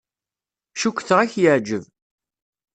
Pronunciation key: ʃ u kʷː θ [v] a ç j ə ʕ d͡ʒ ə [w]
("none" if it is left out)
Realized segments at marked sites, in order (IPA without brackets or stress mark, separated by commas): ʁ, v